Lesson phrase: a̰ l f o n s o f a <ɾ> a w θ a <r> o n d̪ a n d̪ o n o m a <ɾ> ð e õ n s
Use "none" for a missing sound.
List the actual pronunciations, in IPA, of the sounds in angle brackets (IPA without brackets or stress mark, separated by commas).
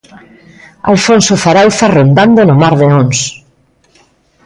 ɾ, r, ɾ